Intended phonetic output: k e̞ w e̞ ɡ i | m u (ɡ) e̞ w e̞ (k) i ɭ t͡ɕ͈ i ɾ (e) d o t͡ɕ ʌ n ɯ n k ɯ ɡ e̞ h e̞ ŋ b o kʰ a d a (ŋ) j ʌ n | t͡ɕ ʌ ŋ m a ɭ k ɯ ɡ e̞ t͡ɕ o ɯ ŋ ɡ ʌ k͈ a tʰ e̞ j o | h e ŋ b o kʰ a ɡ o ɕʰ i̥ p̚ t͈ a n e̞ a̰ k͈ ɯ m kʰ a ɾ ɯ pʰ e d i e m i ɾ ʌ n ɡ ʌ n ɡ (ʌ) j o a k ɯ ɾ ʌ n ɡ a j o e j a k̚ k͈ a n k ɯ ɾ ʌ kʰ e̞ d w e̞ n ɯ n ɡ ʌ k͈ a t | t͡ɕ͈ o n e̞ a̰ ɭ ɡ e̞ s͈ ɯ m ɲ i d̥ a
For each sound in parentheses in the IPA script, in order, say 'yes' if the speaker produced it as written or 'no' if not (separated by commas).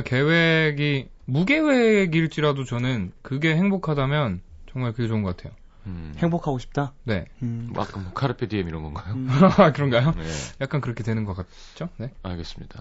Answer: yes, no, no, no, no